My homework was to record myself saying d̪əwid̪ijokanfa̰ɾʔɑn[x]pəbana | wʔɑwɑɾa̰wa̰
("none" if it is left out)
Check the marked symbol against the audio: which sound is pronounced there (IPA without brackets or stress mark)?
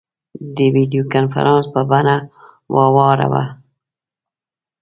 s